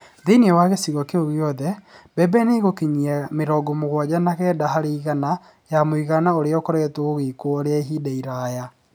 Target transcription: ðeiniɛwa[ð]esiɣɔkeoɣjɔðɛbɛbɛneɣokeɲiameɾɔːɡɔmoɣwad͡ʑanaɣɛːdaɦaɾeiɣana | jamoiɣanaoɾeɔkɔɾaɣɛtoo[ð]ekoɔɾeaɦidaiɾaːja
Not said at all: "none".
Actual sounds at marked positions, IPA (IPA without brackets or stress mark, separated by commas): ɣ, ɣ